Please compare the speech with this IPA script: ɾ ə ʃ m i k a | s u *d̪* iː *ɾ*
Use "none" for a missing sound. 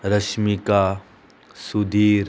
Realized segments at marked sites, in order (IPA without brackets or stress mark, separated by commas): d̪, ɾ